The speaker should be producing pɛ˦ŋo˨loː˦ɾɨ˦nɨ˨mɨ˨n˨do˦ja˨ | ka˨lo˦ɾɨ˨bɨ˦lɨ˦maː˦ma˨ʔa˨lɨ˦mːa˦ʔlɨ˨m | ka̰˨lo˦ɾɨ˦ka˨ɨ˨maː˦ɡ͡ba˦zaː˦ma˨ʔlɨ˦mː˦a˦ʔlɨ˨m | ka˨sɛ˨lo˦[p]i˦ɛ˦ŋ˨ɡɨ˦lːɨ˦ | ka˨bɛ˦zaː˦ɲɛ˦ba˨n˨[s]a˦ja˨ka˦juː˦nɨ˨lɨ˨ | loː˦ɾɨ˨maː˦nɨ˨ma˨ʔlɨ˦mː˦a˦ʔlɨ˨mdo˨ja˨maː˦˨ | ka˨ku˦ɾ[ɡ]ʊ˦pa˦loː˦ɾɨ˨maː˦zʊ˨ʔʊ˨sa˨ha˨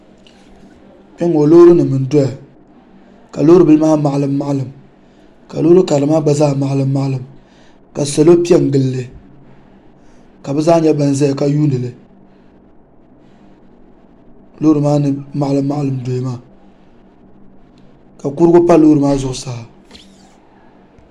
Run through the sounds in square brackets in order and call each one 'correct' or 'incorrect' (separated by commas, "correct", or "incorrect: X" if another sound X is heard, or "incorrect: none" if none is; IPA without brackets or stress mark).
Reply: correct, incorrect: z, correct